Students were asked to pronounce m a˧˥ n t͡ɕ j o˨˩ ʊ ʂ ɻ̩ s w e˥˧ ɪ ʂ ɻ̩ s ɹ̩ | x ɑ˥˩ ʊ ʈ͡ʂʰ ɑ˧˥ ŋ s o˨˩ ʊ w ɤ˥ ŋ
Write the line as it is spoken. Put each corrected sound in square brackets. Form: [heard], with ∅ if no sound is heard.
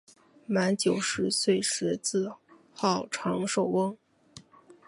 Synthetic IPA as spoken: m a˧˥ n t͡ɕ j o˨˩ ʊ ʂ ɻ̩ s w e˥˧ ɪ ʂ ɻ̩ [t͡s] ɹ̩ | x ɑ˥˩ ʊ ʈ͡ʂʰ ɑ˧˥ ŋ [ʂ] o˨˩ ʊ w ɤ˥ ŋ